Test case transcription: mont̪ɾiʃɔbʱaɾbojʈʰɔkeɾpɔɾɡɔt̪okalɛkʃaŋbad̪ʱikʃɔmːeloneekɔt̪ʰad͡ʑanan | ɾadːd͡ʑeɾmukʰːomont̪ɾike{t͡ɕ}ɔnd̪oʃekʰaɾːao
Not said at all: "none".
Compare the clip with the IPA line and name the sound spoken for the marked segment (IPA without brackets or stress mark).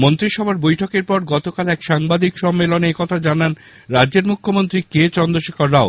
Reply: t͡ɕ